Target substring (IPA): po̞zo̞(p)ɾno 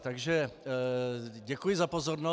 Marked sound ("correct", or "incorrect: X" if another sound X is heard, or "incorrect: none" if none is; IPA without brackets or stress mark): incorrect: none